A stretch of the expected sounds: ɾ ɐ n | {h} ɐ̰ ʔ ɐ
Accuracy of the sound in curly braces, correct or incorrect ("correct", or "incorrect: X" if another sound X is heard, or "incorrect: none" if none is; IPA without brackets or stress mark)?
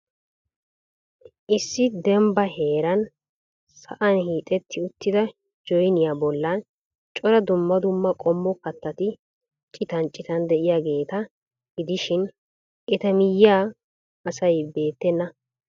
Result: incorrect: s